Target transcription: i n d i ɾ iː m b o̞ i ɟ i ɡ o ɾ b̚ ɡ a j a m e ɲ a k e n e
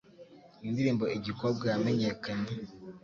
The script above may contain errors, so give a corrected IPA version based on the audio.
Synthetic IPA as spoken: i n d i ɾ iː m b o̞ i ɟ i k o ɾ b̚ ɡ a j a m e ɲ e k a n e